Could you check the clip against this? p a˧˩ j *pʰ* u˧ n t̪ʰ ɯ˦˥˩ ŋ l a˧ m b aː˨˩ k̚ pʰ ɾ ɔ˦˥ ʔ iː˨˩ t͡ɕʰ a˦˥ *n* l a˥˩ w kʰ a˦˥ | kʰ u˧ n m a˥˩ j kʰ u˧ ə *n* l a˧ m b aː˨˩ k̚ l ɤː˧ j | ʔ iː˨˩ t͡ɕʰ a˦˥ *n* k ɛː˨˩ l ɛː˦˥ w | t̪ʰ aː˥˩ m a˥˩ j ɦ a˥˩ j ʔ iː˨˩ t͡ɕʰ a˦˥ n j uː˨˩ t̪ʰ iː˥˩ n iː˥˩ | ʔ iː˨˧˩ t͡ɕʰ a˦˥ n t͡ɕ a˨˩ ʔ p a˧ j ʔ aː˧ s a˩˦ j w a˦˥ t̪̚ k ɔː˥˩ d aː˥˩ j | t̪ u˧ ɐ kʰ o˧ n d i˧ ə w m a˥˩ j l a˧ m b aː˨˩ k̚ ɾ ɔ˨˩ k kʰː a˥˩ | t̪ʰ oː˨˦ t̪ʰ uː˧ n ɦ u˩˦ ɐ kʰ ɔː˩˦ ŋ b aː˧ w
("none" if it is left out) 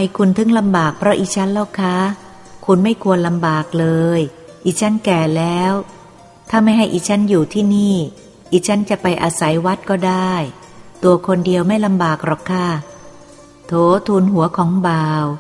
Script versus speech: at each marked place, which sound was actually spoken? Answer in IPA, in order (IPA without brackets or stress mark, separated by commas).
kʰ, n, n, n